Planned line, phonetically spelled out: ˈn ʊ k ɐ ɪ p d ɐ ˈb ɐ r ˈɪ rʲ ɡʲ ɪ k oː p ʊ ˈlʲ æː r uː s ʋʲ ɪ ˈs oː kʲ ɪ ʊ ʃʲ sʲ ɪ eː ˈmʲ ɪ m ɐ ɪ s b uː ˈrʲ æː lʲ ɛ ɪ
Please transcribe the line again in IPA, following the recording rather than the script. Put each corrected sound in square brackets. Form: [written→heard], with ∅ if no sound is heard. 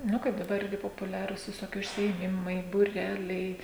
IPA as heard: ˈn ʊ k ɐ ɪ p d ɐ ˈb ɐ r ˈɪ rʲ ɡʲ ɪ [k→p] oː p ʊ ˈlʲ æː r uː s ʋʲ ɪ ˈs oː kʲ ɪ ʊ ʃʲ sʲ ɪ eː ˈmʲ ɪ m ɐ ɪ [s→∅] b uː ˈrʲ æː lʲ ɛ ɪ